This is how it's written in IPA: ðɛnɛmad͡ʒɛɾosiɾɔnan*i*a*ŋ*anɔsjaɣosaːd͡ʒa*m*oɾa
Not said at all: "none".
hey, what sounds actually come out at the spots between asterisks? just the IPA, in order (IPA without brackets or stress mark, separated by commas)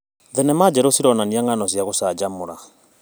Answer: i, ŋ, m